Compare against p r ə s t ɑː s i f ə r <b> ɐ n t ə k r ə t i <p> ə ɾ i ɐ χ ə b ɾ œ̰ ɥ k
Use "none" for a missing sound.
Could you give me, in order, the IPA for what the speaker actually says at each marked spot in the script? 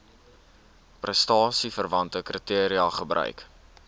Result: v, none

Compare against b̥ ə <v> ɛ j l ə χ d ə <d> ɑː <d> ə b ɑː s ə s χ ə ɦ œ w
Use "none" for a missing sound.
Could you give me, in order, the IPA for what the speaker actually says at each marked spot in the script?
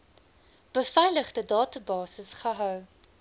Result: f, d, t

